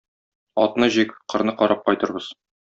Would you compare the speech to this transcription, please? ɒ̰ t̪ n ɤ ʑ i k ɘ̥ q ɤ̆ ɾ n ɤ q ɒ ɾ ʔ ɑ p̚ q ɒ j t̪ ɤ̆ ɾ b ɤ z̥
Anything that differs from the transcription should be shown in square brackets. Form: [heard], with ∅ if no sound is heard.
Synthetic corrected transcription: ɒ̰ t̪ n ɤ ʑ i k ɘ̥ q ɤ̆ ɾ n ɤ q ɒ ɾ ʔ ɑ p̚ q ɒ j t̪ ɤ̆ ɾ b ɤ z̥